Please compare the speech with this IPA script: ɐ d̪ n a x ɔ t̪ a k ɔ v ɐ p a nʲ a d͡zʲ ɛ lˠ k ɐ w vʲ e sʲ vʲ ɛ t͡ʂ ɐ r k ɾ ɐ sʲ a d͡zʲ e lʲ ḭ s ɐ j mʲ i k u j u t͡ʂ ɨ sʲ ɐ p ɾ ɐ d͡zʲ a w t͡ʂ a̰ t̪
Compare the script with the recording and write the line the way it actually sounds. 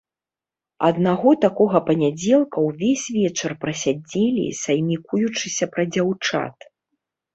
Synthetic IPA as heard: ɐ d̪ n a ɣ ɔ t̪ a k ɔ ɣ ɐ p ɐ nʲ a d͡zʲ ɛ lˠ k ɐ w vʲ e sʲ vʲ ɛ t͡ʂ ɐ r p ɾ ɐ sʲ a d͡zʲ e lʲ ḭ s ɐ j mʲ i k u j u t͡ʂ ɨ sʲ ɐ p ɾ ɐ d͡zʲ a w t͡ʂ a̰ t̪